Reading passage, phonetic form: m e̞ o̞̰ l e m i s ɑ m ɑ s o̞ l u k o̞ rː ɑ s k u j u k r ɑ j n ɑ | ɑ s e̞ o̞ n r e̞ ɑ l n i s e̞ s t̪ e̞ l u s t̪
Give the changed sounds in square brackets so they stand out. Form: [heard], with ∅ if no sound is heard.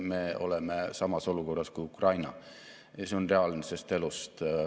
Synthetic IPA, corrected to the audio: m e̞ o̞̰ l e m [e] s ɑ m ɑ s o̞ l u k o̞ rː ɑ s k u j u k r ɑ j n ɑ | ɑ s e̞ o̞ n r e̞ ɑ l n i s e̞ s t̪ e̞ l u s t̪